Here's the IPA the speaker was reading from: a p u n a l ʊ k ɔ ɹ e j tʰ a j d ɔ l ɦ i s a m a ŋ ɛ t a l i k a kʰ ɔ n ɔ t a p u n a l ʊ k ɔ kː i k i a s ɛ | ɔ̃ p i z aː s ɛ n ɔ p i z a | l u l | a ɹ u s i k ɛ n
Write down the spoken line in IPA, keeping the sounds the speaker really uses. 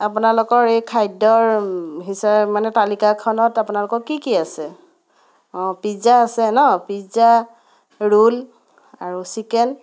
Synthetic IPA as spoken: a p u n a l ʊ k ɔ ɹ e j kʰ a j d ɔ ɹ ɦ i s a m a n ɛ t a l i k a kʰ ɔ n ɔ t a p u n a l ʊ k ɔ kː i k i a s ɛ | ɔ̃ p i z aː s ɛ n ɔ p i z a | ɹ u l | a ɹ u s i k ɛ n